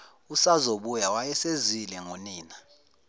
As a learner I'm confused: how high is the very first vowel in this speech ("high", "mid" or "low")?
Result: high